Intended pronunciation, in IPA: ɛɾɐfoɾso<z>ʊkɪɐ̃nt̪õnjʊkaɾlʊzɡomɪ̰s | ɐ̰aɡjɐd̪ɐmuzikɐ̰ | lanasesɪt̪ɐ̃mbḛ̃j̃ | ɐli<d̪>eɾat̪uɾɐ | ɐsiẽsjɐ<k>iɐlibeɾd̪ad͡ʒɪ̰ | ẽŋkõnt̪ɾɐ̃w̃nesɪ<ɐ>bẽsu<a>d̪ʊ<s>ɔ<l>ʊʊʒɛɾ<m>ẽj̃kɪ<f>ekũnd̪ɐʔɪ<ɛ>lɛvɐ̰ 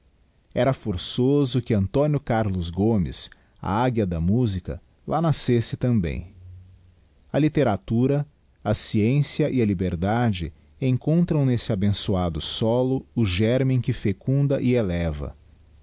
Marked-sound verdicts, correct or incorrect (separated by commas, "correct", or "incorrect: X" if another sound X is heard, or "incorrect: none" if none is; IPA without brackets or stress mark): correct, incorrect: t̪, incorrect: ʔ, incorrect: a, correct, correct, correct, correct, correct, incorrect: e